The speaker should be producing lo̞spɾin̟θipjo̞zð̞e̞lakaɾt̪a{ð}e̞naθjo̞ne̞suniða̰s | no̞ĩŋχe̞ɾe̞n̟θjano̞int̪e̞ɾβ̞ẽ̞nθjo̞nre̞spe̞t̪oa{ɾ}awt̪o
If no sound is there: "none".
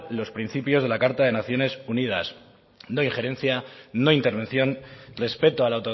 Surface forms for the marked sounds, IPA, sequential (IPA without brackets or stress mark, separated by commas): ð, l